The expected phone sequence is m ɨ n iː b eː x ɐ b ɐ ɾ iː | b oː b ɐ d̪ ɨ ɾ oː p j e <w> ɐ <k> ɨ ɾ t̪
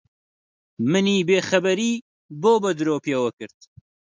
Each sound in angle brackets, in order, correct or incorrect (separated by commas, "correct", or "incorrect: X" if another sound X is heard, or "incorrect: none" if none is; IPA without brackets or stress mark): correct, correct